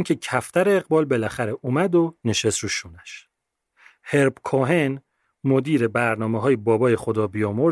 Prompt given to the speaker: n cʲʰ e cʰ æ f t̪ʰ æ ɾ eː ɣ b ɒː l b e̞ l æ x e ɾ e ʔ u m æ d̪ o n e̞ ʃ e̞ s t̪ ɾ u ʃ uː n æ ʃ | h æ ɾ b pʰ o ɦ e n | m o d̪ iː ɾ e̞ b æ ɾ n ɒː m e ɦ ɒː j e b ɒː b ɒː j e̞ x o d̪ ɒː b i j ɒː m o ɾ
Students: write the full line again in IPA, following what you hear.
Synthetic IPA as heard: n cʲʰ e cʰ æ f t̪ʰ æ ɾ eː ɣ b ɒː l b e̞ l æ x æ ɾ e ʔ u m æ d̪ o n e̞ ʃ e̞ s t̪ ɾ u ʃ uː n æ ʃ | h e ɾ b kʰ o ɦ e n | m o d̪ iː ɾ e̞ b æ ɾ n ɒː m e ɦ ɒː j e b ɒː b ɒː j e̞ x o d̪ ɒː b i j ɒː m o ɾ